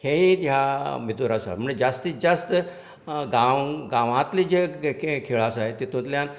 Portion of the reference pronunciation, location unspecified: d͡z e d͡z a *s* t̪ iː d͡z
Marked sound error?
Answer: no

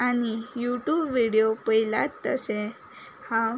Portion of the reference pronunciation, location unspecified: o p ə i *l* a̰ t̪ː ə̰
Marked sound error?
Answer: no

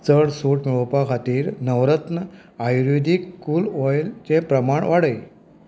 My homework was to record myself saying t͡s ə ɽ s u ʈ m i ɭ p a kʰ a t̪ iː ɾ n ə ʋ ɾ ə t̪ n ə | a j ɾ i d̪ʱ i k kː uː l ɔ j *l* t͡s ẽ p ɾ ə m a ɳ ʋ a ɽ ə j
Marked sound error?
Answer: no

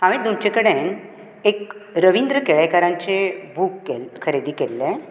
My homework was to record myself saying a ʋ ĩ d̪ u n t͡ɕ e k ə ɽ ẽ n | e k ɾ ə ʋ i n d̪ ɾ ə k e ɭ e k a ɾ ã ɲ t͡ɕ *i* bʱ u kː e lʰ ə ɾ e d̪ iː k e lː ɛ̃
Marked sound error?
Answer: yes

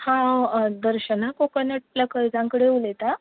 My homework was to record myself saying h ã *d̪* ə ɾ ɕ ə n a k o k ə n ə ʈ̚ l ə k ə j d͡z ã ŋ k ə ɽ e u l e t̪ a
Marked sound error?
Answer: no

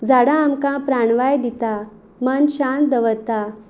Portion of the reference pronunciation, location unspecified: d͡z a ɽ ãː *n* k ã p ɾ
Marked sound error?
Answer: yes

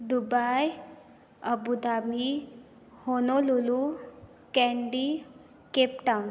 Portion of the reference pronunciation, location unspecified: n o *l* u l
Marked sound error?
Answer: no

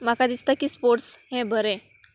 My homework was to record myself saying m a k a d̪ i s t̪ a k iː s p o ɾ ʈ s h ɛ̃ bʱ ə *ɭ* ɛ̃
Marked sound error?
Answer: yes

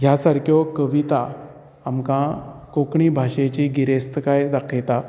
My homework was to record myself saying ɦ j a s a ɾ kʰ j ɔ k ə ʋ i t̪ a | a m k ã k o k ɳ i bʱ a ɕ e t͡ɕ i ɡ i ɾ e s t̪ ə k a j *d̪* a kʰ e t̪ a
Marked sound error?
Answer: no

